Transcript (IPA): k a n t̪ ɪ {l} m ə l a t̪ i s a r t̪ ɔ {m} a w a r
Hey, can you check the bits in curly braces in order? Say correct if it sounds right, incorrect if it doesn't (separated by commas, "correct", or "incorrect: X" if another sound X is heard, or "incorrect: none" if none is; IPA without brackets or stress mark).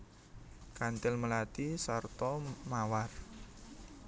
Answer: correct, correct